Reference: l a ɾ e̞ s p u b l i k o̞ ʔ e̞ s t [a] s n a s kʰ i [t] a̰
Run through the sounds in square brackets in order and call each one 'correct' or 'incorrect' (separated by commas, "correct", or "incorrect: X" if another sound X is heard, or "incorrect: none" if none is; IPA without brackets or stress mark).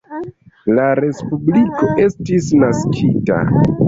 incorrect: i, correct